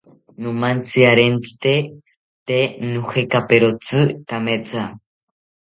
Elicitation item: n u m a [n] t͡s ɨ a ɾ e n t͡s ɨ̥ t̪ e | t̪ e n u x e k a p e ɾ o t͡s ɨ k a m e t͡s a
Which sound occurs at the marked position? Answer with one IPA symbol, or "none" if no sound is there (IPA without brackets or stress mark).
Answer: n